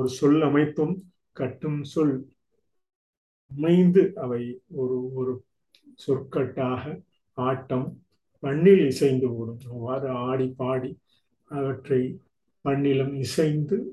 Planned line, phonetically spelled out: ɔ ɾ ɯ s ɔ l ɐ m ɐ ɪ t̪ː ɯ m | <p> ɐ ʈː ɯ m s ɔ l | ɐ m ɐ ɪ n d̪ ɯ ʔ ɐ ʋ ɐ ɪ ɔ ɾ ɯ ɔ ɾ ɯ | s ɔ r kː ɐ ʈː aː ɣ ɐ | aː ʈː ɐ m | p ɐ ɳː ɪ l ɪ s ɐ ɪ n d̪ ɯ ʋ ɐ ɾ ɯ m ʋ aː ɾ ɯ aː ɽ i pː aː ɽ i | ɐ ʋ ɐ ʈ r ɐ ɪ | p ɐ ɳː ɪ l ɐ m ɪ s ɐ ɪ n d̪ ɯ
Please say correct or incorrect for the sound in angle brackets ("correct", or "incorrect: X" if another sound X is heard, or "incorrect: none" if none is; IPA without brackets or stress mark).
incorrect: k